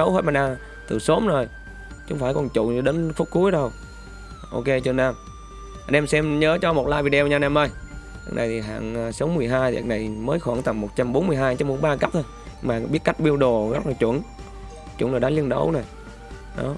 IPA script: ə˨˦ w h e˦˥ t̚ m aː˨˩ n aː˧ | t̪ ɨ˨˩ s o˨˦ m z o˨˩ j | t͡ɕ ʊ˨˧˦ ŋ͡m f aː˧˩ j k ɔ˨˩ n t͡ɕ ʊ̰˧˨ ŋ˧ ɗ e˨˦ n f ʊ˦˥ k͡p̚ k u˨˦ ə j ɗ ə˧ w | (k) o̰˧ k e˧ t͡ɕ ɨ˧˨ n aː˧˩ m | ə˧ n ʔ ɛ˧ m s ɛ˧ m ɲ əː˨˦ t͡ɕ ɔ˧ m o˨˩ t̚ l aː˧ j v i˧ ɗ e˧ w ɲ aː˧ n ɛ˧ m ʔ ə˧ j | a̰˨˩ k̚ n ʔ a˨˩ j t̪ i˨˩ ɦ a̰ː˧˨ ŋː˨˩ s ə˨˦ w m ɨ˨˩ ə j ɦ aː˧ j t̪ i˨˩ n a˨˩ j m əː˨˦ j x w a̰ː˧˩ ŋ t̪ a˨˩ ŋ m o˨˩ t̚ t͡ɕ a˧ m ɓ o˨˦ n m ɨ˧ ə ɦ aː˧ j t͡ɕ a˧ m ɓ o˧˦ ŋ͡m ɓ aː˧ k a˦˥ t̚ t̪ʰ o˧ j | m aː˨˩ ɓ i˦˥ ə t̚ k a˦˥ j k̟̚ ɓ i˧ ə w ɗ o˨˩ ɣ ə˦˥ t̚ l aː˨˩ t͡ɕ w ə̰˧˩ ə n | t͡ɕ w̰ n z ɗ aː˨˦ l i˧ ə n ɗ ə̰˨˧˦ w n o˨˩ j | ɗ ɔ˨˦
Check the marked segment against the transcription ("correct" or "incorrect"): incorrect